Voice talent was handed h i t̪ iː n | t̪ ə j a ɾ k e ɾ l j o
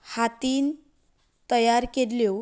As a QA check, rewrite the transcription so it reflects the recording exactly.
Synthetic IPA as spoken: h a t̪ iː n | t̪ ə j a ɾ k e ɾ l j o